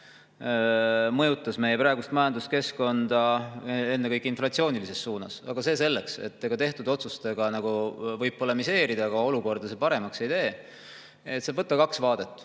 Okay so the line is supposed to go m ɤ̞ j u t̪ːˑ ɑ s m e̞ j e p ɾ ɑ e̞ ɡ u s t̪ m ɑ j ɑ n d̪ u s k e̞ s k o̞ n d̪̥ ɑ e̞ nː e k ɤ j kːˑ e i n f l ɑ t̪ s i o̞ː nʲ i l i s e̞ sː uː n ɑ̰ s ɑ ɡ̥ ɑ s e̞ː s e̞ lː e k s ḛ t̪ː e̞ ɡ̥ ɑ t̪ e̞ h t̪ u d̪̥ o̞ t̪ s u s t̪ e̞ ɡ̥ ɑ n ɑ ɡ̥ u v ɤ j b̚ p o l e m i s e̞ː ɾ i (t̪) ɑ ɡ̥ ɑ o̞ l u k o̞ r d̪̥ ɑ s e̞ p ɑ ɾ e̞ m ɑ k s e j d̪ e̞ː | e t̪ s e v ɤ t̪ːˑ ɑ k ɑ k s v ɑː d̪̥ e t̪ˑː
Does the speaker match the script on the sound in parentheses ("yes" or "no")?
no